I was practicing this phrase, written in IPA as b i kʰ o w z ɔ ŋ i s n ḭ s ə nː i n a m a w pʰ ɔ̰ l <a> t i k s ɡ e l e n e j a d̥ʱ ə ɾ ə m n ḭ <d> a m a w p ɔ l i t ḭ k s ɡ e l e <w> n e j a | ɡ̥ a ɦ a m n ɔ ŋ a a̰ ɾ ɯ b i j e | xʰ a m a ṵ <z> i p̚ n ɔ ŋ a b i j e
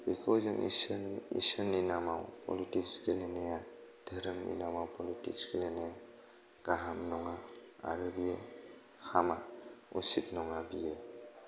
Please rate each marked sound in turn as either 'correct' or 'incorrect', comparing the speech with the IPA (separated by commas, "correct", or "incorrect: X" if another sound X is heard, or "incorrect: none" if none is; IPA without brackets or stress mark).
incorrect: i, incorrect: n, incorrect: none, incorrect: s